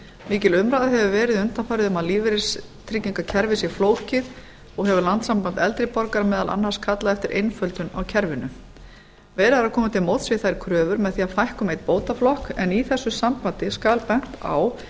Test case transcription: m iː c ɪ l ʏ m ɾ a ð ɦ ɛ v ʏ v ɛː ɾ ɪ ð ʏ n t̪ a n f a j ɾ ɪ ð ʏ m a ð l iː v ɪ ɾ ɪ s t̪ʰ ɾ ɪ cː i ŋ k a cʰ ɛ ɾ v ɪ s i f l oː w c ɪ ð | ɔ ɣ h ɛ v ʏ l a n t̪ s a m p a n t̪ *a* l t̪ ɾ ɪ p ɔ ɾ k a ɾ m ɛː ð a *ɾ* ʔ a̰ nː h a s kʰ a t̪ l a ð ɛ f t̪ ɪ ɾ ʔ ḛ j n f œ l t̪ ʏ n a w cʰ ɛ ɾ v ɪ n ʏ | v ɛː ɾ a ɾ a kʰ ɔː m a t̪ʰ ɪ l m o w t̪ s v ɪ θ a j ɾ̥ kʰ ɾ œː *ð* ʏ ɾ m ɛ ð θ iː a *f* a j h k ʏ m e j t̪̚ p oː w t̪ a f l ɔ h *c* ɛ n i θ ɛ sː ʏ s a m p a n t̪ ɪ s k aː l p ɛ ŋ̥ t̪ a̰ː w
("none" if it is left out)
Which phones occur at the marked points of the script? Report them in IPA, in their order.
ɛ, l, v, f, k

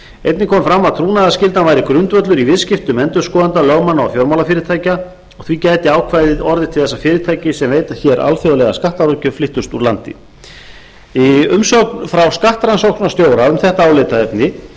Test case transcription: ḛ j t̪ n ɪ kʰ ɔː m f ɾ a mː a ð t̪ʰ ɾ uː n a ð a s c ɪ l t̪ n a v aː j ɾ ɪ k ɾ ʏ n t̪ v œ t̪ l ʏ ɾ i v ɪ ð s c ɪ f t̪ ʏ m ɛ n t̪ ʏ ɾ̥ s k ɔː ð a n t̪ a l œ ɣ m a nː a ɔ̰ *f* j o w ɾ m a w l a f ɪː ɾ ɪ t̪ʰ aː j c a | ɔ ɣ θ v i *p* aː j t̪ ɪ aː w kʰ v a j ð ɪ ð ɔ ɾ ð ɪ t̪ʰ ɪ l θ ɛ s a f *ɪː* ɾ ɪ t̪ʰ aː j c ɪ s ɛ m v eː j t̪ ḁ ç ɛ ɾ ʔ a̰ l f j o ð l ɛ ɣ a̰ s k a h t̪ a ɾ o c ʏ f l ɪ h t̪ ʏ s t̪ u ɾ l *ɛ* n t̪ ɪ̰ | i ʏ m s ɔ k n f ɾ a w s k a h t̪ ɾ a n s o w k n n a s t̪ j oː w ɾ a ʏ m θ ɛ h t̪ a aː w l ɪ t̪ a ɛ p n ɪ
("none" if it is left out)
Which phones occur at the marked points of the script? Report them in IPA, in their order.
f, c, ɪː, a

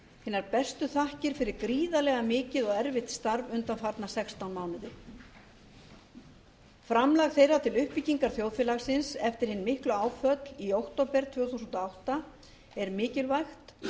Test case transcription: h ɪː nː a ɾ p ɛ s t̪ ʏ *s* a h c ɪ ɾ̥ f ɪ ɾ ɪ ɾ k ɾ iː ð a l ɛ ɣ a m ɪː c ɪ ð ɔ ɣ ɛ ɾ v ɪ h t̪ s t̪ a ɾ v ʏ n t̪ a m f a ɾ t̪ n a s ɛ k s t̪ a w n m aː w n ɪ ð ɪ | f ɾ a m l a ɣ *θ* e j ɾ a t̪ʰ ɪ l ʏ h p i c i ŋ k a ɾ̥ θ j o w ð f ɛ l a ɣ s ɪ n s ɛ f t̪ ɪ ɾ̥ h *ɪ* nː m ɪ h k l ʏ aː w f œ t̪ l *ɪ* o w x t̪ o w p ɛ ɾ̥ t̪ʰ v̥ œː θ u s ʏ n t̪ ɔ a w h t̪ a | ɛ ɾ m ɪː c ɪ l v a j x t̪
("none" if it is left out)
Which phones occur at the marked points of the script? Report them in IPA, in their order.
θ, θ, ɪ, i

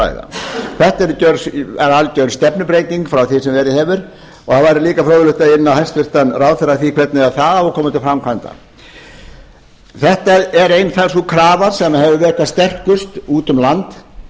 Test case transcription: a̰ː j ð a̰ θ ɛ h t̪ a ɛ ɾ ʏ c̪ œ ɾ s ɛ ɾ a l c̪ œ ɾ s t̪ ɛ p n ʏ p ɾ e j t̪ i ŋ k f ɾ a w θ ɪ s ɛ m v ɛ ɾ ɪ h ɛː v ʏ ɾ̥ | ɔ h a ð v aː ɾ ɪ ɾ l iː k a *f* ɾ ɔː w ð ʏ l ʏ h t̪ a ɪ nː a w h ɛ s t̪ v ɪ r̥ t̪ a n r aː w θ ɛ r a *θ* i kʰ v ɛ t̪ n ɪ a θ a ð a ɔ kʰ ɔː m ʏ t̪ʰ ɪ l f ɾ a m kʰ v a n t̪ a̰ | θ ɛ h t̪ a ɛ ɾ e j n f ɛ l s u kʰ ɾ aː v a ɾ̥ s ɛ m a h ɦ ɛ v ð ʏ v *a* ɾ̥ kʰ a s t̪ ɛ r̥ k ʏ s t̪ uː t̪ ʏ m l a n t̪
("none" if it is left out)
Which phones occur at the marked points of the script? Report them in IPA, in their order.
f, θ, ɛ

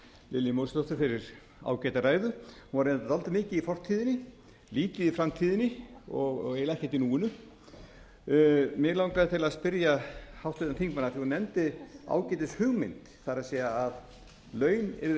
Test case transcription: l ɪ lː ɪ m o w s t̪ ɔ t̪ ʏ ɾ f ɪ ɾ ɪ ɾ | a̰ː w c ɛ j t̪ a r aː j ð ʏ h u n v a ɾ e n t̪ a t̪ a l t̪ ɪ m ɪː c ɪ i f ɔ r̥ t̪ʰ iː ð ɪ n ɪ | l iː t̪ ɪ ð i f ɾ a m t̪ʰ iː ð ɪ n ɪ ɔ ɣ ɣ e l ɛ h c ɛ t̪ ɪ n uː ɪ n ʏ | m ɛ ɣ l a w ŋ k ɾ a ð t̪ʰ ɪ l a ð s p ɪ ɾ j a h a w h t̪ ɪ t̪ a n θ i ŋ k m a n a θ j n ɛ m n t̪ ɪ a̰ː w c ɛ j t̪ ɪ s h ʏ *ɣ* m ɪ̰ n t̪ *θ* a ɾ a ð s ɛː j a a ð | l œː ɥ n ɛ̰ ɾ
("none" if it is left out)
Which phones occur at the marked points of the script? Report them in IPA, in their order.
ɣ, θ

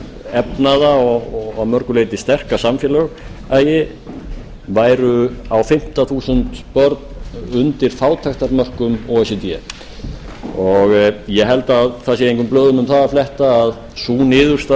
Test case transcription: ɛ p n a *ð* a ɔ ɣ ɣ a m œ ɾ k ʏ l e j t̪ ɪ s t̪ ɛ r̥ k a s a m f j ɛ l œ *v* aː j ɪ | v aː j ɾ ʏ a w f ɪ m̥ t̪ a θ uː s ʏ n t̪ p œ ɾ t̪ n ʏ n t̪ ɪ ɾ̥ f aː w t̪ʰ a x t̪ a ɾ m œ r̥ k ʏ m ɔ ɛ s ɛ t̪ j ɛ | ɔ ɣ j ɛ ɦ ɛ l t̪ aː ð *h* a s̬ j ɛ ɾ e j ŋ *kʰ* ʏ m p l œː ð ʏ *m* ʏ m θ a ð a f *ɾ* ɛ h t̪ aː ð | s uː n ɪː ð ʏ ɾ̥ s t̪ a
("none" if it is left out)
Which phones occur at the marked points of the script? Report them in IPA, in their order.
ð, ɣ, θ, k, m, l

